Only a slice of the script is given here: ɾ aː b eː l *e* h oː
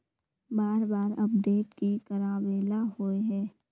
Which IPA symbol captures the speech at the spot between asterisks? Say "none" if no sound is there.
a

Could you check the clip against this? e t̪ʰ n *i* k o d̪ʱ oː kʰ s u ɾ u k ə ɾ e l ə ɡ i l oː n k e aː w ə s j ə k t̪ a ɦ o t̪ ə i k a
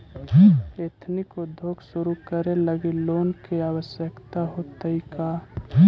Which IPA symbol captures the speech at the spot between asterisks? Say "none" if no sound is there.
i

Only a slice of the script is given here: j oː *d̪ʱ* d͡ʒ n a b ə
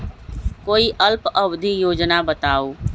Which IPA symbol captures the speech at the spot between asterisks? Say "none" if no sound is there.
none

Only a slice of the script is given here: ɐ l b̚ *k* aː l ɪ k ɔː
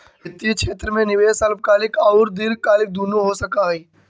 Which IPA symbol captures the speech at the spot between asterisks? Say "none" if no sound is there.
k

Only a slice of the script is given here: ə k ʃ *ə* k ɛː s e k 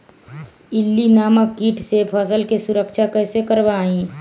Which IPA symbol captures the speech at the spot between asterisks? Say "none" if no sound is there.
a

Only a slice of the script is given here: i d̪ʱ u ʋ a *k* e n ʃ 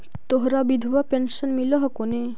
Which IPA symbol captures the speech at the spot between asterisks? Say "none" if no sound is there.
p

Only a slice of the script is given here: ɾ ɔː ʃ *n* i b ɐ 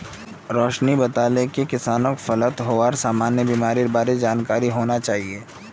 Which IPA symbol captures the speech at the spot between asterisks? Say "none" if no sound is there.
n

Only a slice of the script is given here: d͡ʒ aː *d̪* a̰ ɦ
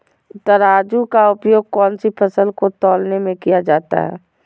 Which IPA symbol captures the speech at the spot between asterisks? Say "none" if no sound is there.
t̪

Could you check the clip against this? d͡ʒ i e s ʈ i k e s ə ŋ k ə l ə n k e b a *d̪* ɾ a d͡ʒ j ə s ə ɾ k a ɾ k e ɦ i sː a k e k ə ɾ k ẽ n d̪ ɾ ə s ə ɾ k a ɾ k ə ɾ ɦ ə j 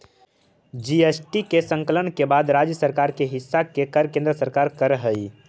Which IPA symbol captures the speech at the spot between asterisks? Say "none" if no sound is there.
d̪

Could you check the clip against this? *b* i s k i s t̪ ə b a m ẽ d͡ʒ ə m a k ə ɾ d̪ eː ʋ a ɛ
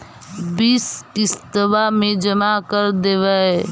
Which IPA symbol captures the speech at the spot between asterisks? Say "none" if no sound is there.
b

